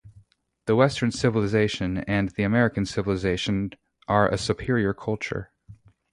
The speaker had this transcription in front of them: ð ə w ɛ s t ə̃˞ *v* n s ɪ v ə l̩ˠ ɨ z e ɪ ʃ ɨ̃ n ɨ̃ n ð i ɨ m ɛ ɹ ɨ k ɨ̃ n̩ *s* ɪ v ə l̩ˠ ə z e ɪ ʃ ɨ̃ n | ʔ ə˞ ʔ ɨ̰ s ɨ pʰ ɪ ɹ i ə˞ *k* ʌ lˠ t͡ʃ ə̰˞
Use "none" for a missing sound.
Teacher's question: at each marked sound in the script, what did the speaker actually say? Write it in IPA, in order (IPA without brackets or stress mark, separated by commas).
none, s, kʰ